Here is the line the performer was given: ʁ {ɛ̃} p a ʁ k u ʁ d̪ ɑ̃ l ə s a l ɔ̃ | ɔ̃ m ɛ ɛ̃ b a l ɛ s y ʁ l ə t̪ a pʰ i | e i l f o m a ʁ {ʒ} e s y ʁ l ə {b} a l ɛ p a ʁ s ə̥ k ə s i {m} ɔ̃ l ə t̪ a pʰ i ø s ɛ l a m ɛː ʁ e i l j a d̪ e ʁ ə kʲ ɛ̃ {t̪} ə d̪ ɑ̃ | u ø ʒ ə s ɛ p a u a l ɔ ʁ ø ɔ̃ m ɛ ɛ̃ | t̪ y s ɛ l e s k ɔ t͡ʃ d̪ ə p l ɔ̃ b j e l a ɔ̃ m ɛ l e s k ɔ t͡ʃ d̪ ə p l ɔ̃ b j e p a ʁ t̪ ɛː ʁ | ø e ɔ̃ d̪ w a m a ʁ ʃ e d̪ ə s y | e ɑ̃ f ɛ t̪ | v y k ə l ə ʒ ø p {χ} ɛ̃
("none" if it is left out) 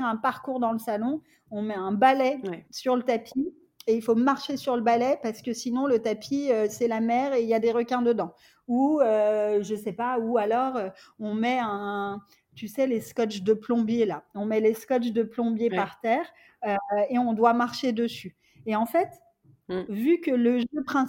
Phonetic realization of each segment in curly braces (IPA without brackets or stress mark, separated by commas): ɛ̃, ʃ, b, n, d̪, χ